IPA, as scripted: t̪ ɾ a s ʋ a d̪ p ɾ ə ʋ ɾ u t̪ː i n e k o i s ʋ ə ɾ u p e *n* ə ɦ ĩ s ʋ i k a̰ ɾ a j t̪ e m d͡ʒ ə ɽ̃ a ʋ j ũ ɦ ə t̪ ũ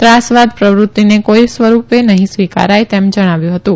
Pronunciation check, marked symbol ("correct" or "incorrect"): correct